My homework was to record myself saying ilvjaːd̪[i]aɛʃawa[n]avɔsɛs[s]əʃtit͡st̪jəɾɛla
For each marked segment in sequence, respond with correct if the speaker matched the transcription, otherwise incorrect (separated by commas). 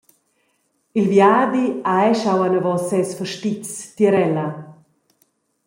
correct, correct, incorrect